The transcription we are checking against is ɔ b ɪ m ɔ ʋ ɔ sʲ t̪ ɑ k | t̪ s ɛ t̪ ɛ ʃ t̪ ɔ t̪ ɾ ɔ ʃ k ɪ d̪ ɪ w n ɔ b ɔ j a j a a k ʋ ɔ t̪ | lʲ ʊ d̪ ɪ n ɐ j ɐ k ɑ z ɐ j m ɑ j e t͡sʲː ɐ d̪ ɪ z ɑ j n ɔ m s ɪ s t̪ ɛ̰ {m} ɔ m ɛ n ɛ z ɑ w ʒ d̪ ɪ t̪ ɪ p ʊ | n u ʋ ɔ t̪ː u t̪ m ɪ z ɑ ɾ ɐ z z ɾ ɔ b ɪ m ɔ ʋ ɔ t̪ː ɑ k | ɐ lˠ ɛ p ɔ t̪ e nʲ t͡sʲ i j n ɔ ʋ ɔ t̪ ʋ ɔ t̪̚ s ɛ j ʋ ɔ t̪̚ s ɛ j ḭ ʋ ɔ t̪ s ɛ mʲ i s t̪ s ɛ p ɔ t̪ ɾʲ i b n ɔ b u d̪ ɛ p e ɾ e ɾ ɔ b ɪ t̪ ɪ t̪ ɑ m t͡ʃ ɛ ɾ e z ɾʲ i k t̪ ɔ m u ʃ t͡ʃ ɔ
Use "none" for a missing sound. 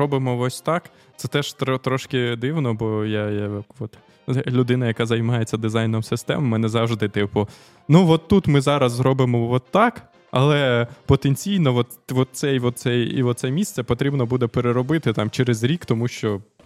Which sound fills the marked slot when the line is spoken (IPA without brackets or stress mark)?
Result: m